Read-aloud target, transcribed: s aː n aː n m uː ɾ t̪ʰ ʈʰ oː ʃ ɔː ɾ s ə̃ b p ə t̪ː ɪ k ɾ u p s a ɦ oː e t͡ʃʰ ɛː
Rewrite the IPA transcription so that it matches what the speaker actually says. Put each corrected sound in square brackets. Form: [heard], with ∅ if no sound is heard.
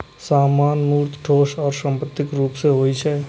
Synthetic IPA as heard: s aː [m] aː n m uː ɾ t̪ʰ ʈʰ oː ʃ ɔː ɾ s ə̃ [m] p ə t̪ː ɪ k ɾ [uː] p s [e] ɦ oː [i] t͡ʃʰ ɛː